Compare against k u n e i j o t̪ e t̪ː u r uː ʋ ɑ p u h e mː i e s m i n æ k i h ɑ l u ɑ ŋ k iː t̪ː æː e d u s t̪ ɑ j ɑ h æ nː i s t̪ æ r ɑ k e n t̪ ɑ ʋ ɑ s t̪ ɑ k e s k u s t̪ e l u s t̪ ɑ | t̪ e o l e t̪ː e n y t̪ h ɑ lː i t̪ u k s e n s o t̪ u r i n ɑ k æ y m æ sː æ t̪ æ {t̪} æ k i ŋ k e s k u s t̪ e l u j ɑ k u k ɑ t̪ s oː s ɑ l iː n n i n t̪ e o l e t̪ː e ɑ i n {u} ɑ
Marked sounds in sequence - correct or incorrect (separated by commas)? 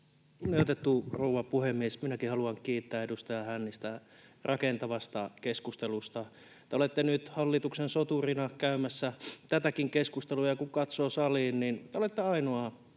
correct, incorrect